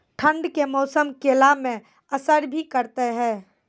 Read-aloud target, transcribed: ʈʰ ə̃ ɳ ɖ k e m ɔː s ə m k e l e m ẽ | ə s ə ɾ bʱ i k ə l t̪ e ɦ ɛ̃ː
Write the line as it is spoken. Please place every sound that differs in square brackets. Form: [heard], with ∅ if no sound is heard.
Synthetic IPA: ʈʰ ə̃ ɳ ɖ k e m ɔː s ə m k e l [a] m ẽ | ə s ə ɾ bʱ i k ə [ɾ] t̪ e ɦ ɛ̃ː